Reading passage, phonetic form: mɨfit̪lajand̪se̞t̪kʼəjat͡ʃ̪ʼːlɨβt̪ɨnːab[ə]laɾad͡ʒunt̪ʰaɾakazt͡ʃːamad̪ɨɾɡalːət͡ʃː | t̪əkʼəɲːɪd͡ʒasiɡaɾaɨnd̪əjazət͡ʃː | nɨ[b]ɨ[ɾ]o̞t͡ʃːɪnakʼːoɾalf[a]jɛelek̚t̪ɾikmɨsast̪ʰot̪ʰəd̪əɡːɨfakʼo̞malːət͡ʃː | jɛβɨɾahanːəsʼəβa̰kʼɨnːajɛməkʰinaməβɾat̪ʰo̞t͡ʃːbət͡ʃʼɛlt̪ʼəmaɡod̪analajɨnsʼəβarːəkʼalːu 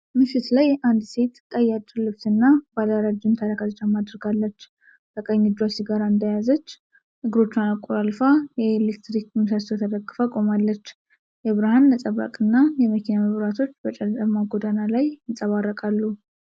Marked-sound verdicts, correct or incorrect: incorrect: a, incorrect: ɡ, correct, correct

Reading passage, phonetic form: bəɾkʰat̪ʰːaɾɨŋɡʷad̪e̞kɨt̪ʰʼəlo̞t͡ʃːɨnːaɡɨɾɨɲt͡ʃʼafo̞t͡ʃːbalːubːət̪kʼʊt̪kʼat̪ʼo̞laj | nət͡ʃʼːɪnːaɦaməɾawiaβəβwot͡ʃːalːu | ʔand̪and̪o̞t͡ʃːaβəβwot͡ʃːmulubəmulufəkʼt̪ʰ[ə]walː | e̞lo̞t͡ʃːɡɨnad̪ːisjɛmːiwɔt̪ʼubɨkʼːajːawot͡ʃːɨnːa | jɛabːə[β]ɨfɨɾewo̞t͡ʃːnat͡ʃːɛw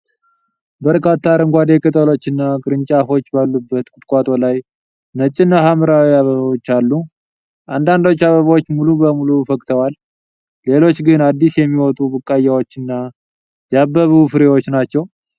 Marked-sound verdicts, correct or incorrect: correct, correct

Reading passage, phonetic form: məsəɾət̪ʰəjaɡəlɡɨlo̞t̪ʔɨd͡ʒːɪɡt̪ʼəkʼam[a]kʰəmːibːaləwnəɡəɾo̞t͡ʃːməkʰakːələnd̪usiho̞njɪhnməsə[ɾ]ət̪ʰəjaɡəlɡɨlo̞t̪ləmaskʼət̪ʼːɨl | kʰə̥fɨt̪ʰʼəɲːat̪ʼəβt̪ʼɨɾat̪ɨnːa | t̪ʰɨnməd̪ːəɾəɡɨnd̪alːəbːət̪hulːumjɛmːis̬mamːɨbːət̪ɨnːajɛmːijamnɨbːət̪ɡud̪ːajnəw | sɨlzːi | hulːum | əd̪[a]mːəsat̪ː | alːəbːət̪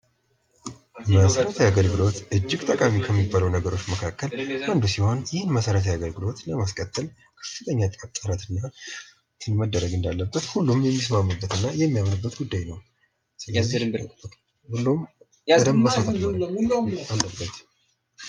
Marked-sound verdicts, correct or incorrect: incorrect: i, correct, incorrect: ə

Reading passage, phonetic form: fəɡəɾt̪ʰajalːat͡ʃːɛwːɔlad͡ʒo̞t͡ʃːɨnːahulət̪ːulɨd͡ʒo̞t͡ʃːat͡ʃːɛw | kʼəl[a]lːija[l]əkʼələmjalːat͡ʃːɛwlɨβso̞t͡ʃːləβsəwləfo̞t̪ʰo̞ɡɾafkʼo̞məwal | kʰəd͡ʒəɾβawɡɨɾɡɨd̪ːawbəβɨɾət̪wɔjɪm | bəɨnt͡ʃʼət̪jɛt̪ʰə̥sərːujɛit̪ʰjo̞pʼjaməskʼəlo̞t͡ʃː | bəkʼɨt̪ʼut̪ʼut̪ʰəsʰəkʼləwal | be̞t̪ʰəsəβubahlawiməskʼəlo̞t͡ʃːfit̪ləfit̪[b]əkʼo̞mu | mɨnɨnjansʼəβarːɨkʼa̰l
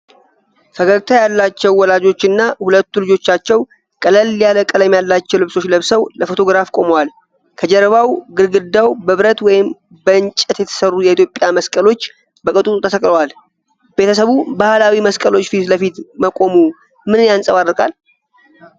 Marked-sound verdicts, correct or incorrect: incorrect: ə, correct, incorrect: m

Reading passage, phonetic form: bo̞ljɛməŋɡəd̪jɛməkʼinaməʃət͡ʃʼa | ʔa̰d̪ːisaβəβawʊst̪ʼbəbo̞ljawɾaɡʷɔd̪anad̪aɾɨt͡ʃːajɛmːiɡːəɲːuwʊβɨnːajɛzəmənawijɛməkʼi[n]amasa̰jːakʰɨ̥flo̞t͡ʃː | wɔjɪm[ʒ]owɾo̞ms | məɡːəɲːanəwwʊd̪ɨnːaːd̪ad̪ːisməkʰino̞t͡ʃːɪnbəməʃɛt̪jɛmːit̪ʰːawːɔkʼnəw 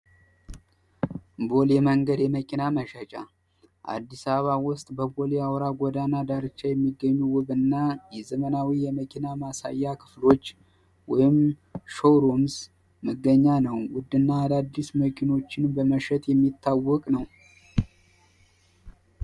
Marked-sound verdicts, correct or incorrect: correct, incorrect: ʃ

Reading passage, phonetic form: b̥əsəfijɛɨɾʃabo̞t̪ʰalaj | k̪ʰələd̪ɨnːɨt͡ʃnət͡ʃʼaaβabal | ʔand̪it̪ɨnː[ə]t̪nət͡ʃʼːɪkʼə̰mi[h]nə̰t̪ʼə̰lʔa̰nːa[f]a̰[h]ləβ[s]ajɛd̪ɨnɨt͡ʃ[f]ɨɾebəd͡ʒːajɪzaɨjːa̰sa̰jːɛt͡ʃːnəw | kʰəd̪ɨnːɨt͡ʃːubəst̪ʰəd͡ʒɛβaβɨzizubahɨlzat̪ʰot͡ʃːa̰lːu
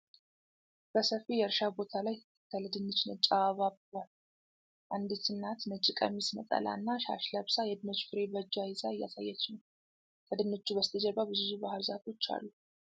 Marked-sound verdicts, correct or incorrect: incorrect: a, incorrect: s, incorrect: ʃ, incorrect: ʃ, correct, correct

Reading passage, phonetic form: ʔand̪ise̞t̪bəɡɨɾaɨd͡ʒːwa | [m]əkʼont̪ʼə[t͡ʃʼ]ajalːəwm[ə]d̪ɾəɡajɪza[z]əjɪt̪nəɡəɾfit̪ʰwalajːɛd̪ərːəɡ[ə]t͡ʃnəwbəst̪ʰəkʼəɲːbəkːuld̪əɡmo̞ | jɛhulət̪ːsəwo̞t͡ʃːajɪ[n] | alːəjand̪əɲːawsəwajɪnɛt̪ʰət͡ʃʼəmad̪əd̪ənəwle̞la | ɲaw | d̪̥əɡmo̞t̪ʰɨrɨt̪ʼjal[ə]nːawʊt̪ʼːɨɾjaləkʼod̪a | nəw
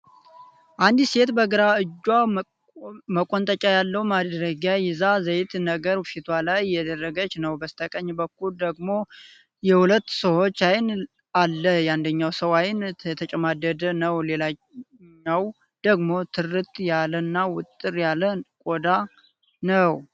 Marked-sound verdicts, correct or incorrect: correct, correct, incorrect: a, correct, correct, correct, correct

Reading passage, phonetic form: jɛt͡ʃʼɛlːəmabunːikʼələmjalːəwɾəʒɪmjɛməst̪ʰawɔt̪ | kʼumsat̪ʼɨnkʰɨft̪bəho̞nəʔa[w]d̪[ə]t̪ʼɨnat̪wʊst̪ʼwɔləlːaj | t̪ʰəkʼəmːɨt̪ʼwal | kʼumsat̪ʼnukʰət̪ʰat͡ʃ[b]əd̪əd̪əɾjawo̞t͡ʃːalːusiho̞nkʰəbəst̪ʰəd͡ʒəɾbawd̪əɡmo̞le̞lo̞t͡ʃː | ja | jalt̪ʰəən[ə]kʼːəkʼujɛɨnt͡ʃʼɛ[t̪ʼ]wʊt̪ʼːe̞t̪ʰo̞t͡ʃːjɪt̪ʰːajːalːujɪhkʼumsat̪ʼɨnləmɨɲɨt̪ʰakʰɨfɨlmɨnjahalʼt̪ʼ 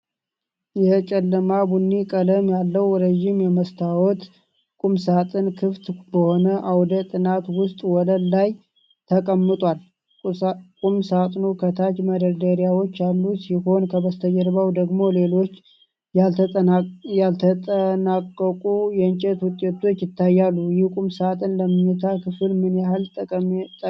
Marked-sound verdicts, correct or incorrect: correct, correct, incorrect: m, incorrect: a, incorrect: t̪

